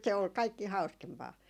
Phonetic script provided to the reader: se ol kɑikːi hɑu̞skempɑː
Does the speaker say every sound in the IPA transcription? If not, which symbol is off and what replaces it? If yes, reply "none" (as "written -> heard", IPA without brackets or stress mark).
none